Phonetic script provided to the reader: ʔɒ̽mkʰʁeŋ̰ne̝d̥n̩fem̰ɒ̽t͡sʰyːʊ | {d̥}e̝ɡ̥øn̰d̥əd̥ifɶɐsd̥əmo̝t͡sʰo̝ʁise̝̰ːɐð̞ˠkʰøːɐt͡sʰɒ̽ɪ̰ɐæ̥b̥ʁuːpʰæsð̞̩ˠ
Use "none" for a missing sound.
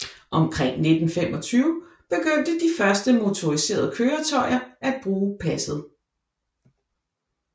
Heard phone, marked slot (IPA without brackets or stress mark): b̥